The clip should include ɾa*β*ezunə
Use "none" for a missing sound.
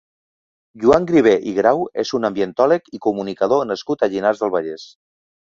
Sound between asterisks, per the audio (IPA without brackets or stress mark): w